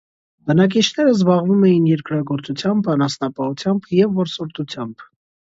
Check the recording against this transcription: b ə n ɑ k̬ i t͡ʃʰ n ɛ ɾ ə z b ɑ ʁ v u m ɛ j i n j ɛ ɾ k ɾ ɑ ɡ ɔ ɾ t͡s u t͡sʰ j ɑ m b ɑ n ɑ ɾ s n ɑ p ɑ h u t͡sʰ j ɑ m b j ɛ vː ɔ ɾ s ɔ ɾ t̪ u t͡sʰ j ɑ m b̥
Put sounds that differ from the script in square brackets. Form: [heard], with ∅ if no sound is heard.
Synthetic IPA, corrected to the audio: b ə n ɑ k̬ i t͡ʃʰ n ɛ ɾ ə z b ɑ ʁ v u m ɛ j i n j ɛ ɾ k ɾ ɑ ɡ ɔ ɾ t͡s u t͡sʰ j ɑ m b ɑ n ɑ [∅] s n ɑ p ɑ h u t͡sʰ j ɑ m b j ɛ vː ɔ ɾ s ɔ ɾ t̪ u t͡sʰ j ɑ m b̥